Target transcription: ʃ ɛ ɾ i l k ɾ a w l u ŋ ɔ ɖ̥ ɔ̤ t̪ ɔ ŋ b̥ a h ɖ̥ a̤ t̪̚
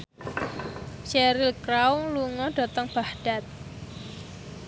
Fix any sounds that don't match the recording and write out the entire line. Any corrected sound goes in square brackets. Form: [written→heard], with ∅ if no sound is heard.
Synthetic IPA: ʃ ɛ ɾ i l k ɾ a w l u ŋ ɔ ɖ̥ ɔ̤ t̪ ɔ ŋ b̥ a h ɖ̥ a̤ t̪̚